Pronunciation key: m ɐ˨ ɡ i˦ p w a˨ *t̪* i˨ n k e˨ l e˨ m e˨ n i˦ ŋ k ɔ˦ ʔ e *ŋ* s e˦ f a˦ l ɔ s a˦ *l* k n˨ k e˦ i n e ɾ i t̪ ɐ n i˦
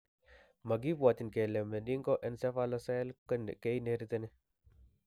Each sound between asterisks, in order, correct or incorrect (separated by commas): correct, incorrect, correct